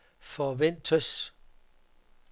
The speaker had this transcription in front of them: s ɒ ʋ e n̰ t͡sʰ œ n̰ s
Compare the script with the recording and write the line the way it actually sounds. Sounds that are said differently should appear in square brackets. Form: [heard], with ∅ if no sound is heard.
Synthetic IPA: [f] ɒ ʋ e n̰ t͡sʰ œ [∅] s